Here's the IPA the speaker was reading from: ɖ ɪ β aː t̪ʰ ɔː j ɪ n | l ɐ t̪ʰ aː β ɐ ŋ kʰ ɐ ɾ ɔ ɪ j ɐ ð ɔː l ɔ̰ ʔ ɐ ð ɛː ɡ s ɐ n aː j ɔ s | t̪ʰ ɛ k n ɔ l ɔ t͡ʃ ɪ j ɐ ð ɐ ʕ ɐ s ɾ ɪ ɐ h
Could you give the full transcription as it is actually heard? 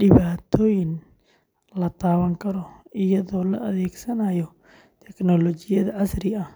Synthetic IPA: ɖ ɪ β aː t̪ʰ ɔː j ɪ n | l ɐ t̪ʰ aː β ɐ ŋ kʰ ɐ ɾ ɔ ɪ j ɐ ð ɔː l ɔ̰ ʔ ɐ ð ɛː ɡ s ɐ n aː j ɔ | t̪ʰ ɛ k n ɔ l ɔ t͡ʃ ɪ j ɐ ð ɐ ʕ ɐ s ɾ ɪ ɐ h

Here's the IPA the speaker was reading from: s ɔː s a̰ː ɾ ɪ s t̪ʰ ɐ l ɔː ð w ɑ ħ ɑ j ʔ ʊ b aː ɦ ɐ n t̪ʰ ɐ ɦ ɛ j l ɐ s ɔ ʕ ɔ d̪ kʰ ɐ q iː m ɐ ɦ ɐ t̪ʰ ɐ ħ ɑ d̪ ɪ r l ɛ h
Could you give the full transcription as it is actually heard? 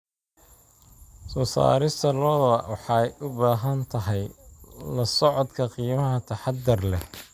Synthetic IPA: s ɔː s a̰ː ɾ ɪ s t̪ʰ ɐ l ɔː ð w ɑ ħ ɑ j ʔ ʊ b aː ɦ ɐ n t̪ʰ ɐ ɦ ɛ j l ɐ s ɔ ʕ ɔ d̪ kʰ ɐ q iː m ɐ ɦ ɐ t̪ʰ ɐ ħ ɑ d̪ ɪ r l ɛ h

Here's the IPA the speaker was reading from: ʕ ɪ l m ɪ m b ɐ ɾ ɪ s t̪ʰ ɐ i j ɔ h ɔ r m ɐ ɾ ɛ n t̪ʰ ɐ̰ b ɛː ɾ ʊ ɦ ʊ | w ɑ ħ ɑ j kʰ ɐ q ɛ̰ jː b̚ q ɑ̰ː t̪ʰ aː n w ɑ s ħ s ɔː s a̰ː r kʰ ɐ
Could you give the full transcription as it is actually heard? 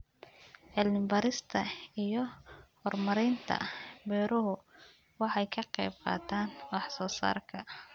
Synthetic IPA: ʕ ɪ l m ɪ m b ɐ ɾ ɪ s t̪ʰ ɐ i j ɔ h ɔ r m ɐ ɾ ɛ n t̪ʰ ɐ̰ b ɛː ɾ ʊ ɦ ʊ | w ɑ ħ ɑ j kʰ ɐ q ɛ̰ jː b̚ q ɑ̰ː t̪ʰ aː n w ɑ ħ s ɔː s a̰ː r kʰ ɐ

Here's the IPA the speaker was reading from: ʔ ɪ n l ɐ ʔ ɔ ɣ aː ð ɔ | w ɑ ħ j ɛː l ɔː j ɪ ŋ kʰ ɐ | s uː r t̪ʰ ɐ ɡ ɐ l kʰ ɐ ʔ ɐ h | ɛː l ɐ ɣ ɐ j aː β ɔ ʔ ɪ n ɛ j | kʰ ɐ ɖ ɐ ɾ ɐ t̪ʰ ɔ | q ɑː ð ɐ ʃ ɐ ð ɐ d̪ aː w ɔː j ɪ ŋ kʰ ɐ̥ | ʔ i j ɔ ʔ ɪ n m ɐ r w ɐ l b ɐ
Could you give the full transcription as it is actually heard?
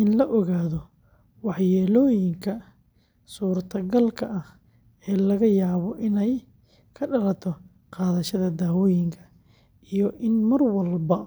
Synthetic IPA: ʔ ɪ n l ɐ ʔ ɔ ɣ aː ð ɔ | w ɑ ħ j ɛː l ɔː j ɪ ŋ kʰ ɐ | s uː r t̪ʰ ɐ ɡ ɐ l kʰ ɐ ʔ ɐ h | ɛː l ɐ ɣ ɐ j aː β ɔ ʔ ɪ n ɛ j | kʰ ɐ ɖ ɐ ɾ ɐ t̪ʰ ɔ | q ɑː ð ɐ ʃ ɐ ð ɐ d̪ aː w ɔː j ɪ ŋ kʰ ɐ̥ | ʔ i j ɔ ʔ ɪ n m ɐ r w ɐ l b ɐ

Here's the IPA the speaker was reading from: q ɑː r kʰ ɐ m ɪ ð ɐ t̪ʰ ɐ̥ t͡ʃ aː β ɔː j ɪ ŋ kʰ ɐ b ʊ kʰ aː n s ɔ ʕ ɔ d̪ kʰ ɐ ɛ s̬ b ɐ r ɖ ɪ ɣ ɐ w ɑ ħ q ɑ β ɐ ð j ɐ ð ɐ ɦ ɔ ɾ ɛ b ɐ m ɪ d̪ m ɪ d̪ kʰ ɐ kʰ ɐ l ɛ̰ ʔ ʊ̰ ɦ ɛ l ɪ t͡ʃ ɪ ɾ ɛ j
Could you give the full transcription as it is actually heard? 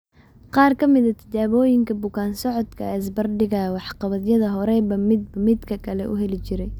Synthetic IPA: q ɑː r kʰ ɐ m ɪ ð ɐ t̪ʰ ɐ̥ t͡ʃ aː β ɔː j ɪ ŋ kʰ ɐ b ʊ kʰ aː n s ɔ ʕ ɔ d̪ kʰ ɐ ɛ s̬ b ɐ r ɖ ɪ ɣ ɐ w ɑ ħ q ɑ β ɐ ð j ɐ ð ɐ ɦ ɔ ɾ ɛ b ɐ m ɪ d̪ m ɪ d̪ kʰ ɐ kʰ ɐ l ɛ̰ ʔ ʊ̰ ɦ ɛ l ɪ t͡ʃ ɪ ɾ ɛ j

